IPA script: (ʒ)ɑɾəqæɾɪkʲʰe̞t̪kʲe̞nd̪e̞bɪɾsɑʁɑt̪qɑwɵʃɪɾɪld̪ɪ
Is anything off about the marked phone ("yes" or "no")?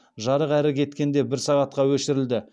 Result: no